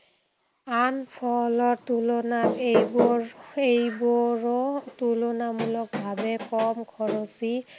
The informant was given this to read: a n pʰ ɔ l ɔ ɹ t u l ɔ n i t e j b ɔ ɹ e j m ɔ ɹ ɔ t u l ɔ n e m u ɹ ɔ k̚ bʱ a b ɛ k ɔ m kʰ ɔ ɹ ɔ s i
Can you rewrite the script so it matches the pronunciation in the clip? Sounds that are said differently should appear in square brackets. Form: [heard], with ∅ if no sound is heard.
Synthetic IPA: a n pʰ ɔ l ɔ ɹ t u l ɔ n [a] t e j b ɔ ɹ e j [b] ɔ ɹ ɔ t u l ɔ n [a] m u [l] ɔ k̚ bʱ a b ɛ k ɔ m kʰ ɔ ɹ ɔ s i